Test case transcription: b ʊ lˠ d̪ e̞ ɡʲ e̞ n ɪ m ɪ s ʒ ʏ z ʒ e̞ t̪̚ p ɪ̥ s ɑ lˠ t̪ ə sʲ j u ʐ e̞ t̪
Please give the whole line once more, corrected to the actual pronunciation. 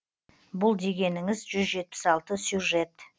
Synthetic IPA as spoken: b ʊ lˠ d̪ e̞ ɡʲ e̞ n ɪ ŋ ɪ z ʒ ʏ z ʒ e̞ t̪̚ p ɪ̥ s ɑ lˠ t̪ ə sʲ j u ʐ e̞ t̪

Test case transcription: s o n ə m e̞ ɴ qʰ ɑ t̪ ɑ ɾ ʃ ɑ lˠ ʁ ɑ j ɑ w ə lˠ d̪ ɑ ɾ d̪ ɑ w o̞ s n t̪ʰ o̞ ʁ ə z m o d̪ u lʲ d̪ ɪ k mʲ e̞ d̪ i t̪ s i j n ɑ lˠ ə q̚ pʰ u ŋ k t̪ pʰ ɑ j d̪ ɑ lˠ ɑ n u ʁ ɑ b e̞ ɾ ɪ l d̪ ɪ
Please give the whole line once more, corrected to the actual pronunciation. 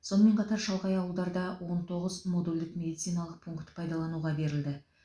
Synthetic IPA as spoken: s o n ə m e̞ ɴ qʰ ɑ t̪ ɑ ɾ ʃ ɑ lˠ ʁ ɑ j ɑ w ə lˠ d̪ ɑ ɾ d̪ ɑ w o̞ n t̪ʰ o̞ ʁ ə z m o d̪ u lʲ d̪ ɪ k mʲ e̞ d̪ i t̪ s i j n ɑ lˠ ə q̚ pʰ u ŋ k t̪ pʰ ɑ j d̪ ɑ lˠ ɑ n u ʁ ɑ b e̞ ɾ ɪ l d̪ ɪ

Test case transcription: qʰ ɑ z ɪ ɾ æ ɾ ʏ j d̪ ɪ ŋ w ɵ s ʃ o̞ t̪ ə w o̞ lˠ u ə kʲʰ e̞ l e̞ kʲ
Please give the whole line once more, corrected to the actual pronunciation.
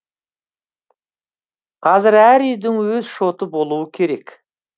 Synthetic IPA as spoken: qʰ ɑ z ɪ ɾ æ ɾ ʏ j d̪ ɪ ŋ w ɵ z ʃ o̞ t̪ ə b o̞ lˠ u ə kʲʰ e̞ ɾ e̞ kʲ

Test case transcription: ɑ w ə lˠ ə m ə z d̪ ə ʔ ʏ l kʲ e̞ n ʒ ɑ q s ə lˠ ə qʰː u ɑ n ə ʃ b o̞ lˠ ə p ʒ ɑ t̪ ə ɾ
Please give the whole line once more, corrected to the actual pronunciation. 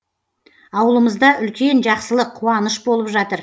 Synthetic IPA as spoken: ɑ w ə lˠ ə m ə z d̪ ɑ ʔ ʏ l kʲ e̞ n ʒ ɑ q s ə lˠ ə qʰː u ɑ n ə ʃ b o̞ lˠ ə p ʒ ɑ t̪ ə ɾ

